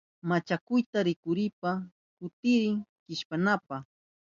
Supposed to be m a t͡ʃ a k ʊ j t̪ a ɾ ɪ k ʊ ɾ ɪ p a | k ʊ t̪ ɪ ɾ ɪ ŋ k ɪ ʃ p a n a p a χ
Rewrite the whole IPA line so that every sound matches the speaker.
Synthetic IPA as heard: m a t͡ʃ a k ʊ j t̪ a ɾ ɪ k ʊ ɾ ɪ p a | k ʊ t̪ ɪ ɾ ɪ ŋ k ɪ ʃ p a n a p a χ